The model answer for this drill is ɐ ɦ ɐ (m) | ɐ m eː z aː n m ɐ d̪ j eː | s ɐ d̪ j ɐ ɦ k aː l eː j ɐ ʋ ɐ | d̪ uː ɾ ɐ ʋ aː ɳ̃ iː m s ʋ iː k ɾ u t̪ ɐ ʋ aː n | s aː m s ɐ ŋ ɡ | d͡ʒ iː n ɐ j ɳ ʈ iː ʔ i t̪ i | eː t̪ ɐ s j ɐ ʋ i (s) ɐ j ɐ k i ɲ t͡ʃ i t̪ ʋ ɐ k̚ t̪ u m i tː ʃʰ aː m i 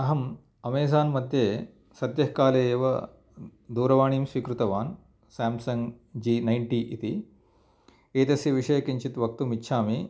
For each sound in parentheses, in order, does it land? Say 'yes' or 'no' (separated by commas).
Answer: yes, no